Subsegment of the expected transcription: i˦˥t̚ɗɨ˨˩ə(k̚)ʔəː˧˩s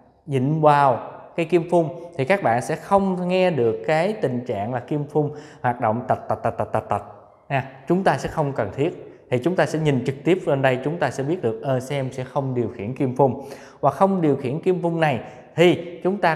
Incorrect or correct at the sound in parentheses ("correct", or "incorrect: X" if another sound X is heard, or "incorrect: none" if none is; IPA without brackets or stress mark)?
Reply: correct